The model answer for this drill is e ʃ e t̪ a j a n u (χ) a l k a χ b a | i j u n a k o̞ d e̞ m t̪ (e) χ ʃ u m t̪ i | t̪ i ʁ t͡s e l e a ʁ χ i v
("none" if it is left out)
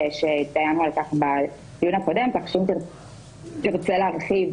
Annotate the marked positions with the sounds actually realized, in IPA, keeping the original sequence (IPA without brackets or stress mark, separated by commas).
none, a